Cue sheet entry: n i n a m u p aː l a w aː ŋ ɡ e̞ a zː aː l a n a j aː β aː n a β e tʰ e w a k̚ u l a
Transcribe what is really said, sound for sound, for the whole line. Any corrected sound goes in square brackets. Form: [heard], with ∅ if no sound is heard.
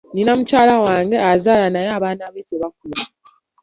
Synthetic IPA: n i n a m u [c] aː l a w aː ŋ ɡ e̞ a [z] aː l a n a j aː β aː n a β e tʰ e [β] a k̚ u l a